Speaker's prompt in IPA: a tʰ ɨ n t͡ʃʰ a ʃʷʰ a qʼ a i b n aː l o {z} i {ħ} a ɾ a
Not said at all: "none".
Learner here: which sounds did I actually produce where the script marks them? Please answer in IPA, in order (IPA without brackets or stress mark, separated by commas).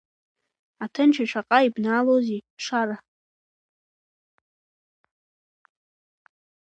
z, ʂ